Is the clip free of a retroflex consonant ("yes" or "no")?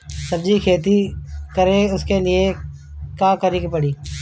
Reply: no